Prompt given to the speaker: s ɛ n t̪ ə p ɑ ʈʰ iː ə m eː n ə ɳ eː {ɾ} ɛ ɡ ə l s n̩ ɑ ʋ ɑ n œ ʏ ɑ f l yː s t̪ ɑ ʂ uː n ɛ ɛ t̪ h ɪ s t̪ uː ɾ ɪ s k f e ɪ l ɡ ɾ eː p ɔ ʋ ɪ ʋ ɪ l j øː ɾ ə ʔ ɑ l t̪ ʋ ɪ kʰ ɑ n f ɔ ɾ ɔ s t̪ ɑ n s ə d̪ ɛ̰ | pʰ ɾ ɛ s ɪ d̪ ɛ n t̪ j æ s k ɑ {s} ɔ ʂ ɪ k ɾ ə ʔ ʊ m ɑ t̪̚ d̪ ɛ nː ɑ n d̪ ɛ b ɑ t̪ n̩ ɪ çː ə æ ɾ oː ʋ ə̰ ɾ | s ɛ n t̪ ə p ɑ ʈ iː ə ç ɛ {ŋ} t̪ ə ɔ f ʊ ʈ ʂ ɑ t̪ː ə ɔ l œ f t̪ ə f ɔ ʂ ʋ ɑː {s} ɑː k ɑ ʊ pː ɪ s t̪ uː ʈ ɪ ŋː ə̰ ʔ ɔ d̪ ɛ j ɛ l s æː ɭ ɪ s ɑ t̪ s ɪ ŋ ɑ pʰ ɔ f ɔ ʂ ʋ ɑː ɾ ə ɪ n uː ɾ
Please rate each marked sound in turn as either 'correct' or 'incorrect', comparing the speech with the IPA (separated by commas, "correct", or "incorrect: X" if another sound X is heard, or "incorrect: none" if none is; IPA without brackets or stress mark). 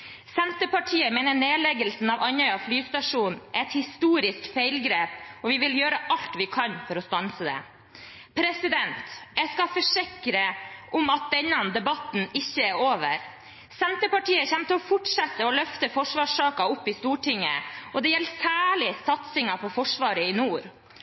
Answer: incorrect: l, incorrect: f, incorrect: m, incorrect: ʂ